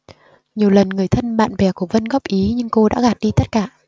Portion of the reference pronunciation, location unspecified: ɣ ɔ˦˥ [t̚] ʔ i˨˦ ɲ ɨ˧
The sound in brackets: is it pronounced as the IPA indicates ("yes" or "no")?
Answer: no